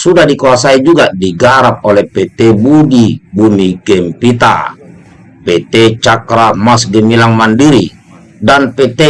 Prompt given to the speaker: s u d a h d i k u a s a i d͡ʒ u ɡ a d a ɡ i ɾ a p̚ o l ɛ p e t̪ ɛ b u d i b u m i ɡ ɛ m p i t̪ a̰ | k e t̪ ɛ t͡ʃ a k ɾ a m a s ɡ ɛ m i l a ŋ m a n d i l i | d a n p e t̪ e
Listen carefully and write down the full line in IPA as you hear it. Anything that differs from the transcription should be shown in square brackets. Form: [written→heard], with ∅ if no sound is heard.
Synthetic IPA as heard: s u d a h d i k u a s a i d͡ʒ u ɡ a d [a→i] ɡ [i→a] ɾ a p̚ o l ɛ p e t̪ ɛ b u d i b u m i ɡ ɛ m p i t̪ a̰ | [k→p] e t̪ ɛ t͡ʃ a k ɾ a m a s ɡ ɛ m i l a ŋ m a n d i [l→ɾ] i | d a n p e t̪ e